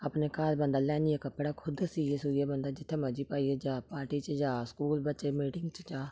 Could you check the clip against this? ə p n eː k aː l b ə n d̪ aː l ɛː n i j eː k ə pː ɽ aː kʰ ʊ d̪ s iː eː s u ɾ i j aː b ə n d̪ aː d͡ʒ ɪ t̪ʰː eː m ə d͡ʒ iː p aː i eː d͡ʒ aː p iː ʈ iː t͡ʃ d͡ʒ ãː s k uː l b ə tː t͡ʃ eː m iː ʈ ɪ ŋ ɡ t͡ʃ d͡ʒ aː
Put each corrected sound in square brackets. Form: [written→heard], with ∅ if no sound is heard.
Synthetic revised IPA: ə p n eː k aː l b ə n d̪ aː l ɛː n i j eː k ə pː ɽ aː kʰ ʊ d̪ s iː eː s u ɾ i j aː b ə n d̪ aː d͡ʒ ɪ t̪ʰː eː m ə d͡ʒ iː p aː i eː d͡ʒ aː p [iː→aː] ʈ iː t͡ʃ d͡ʒ [ãː→aː] s k uː l b ə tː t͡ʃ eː m iː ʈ ɪ ŋ ɡ t͡ʃ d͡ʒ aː